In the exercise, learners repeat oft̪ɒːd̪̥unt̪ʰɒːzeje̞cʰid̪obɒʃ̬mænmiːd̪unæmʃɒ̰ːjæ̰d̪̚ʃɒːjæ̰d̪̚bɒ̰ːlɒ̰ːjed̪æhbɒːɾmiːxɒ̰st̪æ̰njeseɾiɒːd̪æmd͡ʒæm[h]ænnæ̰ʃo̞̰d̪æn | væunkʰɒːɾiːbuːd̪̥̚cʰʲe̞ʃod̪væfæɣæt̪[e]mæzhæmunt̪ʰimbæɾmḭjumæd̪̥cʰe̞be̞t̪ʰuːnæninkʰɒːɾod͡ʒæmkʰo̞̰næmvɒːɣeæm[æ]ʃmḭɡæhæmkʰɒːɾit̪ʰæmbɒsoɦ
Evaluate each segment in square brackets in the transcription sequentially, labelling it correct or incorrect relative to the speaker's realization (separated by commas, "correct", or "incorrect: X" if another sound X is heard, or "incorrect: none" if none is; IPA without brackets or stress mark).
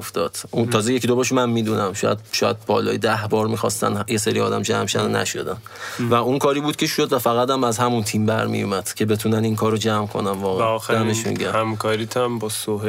incorrect: ʃ, incorrect: æ, incorrect: e